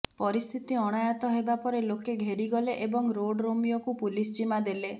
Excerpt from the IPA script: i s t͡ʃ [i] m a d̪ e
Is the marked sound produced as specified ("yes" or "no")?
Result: yes